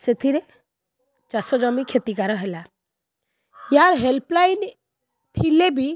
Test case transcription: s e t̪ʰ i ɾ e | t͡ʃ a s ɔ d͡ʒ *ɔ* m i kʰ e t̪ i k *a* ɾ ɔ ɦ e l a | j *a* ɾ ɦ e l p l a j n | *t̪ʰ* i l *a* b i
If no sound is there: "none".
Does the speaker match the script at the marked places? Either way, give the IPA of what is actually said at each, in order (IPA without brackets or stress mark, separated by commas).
ɔ, a, a, t̪ʰ, e